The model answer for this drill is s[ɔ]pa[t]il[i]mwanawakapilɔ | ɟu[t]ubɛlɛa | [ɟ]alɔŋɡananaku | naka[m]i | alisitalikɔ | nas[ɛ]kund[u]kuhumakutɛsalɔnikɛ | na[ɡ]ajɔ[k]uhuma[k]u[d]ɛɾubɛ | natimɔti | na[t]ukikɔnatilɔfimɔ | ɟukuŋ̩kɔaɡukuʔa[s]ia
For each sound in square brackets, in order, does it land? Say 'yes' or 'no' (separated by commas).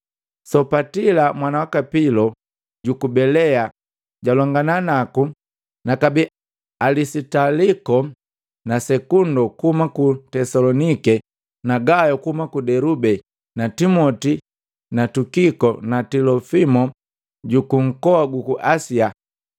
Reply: yes, yes, no, no, yes, no, yes, no, yes, yes, yes, yes, yes, yes